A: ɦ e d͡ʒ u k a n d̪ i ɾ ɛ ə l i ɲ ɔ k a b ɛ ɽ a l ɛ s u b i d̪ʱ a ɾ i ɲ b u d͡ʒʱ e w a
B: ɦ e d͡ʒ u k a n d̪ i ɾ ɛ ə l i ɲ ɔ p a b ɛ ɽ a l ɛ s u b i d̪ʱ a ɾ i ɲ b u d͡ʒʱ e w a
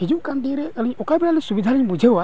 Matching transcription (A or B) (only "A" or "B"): A